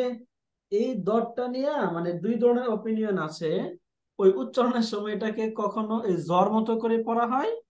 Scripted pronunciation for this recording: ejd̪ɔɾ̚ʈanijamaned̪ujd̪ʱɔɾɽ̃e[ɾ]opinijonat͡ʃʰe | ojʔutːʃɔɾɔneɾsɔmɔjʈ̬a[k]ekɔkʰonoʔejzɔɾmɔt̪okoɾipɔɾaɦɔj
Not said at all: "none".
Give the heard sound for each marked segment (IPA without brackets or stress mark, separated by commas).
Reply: ɾ, k